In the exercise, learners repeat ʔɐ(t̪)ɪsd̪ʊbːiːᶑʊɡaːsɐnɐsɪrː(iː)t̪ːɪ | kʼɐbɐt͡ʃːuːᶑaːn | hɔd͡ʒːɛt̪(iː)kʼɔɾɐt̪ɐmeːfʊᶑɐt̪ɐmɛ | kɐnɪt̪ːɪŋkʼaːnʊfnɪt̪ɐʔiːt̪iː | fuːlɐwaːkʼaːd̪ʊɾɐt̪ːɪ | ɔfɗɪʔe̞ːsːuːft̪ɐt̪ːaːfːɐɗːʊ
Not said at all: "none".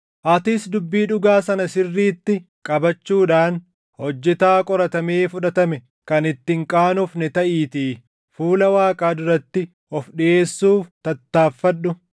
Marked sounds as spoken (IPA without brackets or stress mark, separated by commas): t̪, iː, aː